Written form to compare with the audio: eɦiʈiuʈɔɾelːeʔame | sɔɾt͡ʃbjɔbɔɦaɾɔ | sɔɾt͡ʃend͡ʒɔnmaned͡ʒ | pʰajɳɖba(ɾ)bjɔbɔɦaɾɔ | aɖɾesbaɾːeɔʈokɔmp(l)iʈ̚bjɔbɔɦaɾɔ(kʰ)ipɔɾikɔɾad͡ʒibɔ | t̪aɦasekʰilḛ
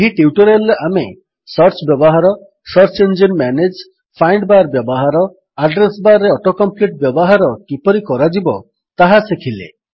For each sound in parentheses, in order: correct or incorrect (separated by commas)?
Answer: correct, correct, incorrect